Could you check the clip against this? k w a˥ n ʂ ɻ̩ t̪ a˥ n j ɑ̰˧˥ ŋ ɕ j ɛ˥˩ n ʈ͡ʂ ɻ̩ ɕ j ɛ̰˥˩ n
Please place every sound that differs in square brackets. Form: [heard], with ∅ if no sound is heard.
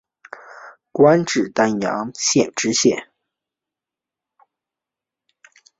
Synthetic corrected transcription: k w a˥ n [ʈ͡ʂ] ɻ̩ t̪ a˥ n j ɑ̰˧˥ ŋ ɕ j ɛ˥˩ n ʈ͡ʂ ɻ̩ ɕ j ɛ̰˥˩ n